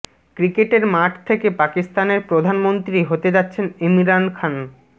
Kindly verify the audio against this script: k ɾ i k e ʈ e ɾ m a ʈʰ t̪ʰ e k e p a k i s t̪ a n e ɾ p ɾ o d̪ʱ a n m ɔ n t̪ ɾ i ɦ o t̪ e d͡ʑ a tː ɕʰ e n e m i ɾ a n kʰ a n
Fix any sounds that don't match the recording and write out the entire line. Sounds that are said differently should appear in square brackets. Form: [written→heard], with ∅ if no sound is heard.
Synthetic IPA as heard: k ɾ i k e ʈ e ɾ m a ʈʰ t̪ʰ e k e p a k i s t̪ a n e ɾ p ɾ o d̪ʱ a n m [ɔ→o] n t̪ ɾ i ɦ o t̪ e d͡ʑ a tː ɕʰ e n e m i ɾ a n kʰ a n

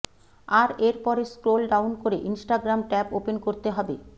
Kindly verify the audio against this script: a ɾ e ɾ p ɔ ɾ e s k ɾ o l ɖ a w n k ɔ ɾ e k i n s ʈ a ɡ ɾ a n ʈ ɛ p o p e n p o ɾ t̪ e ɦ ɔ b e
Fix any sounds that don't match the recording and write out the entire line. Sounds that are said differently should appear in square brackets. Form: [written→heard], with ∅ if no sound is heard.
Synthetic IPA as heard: a ɾ e ɾ p ɔ ɾ e s k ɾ o l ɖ a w n k [ɔ→o] ɾ e [k→ʔ] i n s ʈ a ɡ ɾ a [n→m] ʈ ɛ p o p e n [p→k] o ɾ t̪ e ɦ ɔ b e

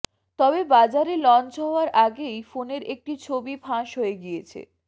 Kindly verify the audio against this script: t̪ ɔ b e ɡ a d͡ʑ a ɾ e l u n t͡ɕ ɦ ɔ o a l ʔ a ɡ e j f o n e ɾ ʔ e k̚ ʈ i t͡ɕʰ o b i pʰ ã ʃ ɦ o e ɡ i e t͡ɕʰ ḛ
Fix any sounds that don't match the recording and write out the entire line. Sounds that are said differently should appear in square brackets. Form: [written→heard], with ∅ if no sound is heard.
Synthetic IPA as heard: t̪ ɔ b e [ɡ→b] a d͡ʑ a ɾ e l [u→ɔ] n t͡ɕ ɦ ɔ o a [l→ɾ] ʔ a ɡ e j f o n e ɾ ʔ e k̚ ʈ i t͡ɕʰ o b i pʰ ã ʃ ɦ o e ɡ i e t͡ɕʰ ḛ

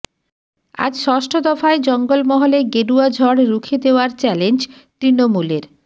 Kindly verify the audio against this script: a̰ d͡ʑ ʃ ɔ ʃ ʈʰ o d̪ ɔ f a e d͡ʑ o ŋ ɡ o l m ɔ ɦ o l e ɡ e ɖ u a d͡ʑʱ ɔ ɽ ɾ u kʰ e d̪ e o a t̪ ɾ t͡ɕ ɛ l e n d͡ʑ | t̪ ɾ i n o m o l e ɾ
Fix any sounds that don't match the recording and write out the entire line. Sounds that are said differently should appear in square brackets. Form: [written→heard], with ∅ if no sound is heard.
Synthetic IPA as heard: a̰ d͡ʑ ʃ ɔ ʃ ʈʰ o d̪ ɔ f a e d͡ʑ [o→ɔ] ŋ ɡ o l m ɔ ɦ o l e ɡ e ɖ u a d͡ʑʱ ɔ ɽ ɾ u kʰ e d̪ e o a [t̪→∅] ɾ t͡ɕ ɛ l e n d͡ʑ | t̪ ɾ i n o m [o→u] l e ɾ

